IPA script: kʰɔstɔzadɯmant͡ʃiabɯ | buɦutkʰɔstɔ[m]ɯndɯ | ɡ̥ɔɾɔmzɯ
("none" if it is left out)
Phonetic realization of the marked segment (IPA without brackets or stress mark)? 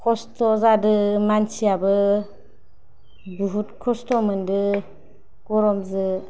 m